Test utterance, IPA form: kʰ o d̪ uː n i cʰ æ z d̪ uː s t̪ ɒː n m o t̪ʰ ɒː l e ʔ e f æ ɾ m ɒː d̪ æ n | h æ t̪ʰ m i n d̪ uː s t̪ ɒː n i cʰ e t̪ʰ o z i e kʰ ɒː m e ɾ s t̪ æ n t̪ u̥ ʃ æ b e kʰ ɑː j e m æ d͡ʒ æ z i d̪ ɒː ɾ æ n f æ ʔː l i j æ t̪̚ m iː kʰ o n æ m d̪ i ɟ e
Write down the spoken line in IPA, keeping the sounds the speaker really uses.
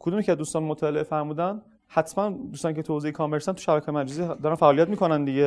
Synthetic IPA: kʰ o d̪ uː m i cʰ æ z d̪ uː s t̪ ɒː n m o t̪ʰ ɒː l e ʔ e f æ ɾ m uː d̪ æ n | h æ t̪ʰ m æ n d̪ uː s t̪ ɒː n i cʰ e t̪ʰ o z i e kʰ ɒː m e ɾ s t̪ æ n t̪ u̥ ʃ æ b æ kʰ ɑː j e m æ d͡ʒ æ z i d̪ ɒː ɾ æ n f æ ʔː l i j æ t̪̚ m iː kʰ o n æ n d̪ i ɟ e